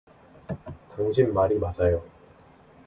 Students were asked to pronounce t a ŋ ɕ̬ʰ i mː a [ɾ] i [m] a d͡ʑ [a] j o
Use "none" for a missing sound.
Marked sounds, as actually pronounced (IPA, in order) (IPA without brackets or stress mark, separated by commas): ɾ, m, a